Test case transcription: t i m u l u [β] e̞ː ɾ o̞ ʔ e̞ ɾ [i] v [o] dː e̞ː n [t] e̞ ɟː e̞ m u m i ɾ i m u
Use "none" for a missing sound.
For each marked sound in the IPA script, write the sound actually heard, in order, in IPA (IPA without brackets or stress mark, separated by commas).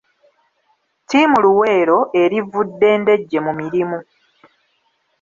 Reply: w, i, u, d